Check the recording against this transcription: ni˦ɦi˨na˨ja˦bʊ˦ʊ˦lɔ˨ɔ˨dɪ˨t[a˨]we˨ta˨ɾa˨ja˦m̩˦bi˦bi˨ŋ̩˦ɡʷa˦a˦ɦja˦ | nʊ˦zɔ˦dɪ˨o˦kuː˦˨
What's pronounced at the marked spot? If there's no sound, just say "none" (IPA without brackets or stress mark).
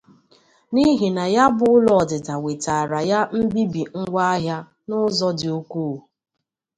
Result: a˨